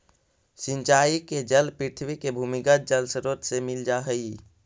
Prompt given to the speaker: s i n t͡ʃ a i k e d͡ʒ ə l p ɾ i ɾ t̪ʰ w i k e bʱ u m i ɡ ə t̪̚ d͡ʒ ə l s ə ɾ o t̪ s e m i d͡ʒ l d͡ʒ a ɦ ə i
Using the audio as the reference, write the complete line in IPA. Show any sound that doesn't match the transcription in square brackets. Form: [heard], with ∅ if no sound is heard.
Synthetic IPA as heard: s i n t͡ʃ a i k e d͡ʒ ə l p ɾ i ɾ t̪ʰ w i k e bʱ u m i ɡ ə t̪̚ d͡ʒ ə l s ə ɾ o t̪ s e m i [∅] l d͡ʒ a ɦ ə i